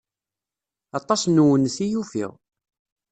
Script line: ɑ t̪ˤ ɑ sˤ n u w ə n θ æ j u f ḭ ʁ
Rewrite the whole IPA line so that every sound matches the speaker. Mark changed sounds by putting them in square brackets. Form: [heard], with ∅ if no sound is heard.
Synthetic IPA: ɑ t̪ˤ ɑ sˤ n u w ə n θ [i] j u f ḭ ʁ